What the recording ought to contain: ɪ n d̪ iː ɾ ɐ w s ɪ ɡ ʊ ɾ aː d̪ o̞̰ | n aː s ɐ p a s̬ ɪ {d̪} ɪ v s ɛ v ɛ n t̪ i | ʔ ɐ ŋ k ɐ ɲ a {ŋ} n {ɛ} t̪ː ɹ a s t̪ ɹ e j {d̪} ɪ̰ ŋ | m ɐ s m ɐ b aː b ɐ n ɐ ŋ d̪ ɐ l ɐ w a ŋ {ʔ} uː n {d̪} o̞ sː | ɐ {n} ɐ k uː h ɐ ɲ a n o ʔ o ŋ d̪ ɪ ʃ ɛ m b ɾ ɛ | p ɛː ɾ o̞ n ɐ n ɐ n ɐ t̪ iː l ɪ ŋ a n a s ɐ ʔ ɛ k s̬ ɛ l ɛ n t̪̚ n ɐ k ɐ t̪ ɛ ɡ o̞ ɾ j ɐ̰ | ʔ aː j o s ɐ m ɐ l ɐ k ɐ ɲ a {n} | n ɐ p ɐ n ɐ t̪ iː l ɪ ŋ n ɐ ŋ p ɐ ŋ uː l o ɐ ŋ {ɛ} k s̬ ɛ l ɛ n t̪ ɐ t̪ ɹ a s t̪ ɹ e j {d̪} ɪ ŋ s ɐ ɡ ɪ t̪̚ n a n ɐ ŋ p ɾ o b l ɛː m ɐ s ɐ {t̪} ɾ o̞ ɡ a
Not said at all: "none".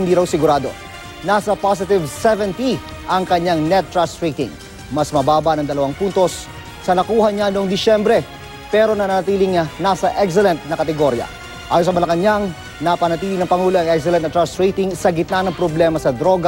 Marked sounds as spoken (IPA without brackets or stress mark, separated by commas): t̪, ŋ, ɛ, t̪, p, t̪, n, ŋ, ɛ, t̪, d̪